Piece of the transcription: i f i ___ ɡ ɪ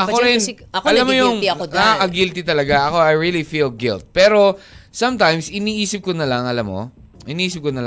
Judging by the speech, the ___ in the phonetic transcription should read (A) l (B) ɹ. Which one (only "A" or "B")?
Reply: A